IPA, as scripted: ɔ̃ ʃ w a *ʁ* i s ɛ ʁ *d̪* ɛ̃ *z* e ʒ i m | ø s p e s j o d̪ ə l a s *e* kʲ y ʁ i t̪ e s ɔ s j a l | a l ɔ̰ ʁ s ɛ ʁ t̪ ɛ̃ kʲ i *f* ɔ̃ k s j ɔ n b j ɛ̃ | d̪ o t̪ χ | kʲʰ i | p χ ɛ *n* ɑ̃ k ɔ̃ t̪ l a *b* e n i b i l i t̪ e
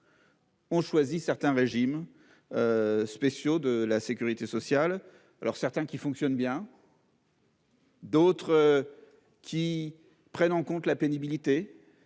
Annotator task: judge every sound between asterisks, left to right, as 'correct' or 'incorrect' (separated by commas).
incorrect, incorrect, incorrect, correct, correct, correct, incorrect